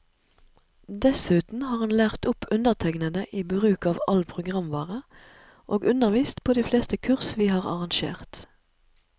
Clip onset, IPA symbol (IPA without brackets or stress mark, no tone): d̪